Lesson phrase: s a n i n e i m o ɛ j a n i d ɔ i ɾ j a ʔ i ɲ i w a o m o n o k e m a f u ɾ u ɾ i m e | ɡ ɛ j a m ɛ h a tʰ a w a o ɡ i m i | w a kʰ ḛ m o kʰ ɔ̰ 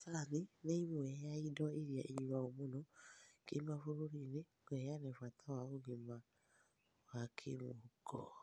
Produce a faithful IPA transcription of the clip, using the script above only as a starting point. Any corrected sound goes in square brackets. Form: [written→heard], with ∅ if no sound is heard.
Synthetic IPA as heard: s a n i n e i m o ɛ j a [n→∅] i d ɔ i ɾ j a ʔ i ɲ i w a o m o n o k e m a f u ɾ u ɾ i [m→n] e | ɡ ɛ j a [m→n] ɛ [h→f] a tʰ a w a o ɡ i m [i→a] | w a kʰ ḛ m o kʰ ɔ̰